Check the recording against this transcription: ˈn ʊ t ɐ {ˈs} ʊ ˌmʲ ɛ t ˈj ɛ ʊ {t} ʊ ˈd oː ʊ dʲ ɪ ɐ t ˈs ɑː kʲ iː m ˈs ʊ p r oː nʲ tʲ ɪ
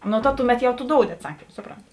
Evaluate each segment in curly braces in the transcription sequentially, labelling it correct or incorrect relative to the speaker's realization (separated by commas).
incorrect, correct